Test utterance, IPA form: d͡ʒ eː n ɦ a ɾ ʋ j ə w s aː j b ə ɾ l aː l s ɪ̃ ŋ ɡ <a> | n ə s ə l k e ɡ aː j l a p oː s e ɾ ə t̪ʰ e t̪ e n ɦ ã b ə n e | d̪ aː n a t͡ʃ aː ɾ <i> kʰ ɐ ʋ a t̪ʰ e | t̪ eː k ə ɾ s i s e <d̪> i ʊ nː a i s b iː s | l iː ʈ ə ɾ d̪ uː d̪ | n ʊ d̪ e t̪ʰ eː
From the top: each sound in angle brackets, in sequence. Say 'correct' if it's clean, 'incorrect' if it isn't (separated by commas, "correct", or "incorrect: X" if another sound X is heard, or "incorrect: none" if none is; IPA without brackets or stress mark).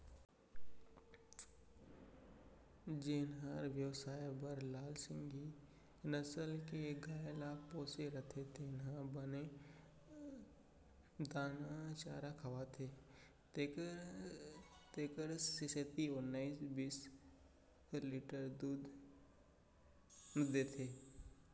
incorrect: i, incorrect: a, incorrect: t̪